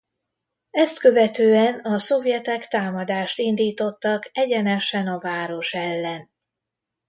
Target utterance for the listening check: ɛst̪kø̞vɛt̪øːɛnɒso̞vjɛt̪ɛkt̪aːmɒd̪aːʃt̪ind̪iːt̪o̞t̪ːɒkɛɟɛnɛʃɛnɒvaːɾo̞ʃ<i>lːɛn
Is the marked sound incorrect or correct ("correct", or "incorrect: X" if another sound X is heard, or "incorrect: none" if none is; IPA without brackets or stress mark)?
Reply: incorrect: ɛ